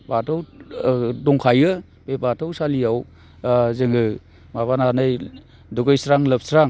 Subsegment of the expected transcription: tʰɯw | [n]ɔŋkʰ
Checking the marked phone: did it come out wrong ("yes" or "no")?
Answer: yes